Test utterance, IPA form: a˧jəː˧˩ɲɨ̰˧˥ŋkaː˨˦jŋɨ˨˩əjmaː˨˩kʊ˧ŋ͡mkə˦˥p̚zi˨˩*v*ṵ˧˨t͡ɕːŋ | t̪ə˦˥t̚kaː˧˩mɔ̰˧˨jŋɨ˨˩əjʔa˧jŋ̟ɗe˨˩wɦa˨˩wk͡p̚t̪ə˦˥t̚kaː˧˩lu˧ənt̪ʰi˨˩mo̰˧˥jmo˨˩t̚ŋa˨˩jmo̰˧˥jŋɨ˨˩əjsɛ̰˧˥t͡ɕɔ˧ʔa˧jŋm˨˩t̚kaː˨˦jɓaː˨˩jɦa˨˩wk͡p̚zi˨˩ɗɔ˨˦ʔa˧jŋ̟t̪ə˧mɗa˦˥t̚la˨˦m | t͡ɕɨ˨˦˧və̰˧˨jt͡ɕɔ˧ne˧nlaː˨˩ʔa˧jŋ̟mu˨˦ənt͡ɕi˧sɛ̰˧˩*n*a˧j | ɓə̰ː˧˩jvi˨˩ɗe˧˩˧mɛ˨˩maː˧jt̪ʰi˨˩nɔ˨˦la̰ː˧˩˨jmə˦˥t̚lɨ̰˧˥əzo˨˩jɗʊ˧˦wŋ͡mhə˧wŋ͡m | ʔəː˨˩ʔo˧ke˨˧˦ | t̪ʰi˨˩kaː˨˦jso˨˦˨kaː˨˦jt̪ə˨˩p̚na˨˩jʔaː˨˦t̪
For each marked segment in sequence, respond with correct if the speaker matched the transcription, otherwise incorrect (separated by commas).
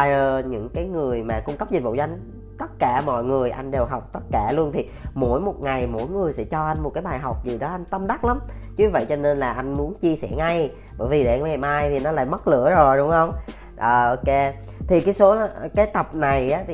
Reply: correct, incorrect